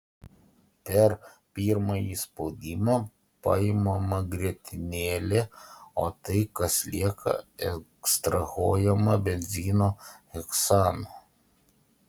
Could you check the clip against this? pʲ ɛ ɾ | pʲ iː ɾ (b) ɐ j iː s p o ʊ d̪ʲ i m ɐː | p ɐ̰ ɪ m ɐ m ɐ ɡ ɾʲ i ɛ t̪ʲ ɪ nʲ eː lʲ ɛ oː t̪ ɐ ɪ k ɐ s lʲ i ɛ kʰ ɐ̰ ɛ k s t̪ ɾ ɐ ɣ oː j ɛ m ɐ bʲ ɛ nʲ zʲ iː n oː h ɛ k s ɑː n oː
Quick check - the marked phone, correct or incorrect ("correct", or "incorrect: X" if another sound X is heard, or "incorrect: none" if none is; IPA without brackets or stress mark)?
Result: incorrect: m